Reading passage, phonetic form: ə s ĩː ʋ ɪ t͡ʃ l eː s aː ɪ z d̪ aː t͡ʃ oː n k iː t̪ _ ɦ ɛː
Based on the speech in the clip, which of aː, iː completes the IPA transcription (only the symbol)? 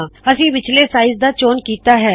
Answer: aː